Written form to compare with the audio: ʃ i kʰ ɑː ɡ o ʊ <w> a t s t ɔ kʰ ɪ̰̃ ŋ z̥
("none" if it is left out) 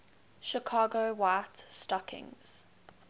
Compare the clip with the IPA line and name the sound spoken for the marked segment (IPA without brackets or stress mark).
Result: w